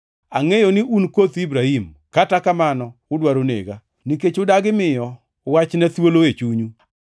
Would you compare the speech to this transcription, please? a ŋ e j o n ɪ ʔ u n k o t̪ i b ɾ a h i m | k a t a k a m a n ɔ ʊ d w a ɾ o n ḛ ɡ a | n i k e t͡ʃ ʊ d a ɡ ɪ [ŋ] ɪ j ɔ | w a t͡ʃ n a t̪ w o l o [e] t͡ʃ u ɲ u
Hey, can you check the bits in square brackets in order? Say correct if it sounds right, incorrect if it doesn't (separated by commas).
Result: incorrect, correct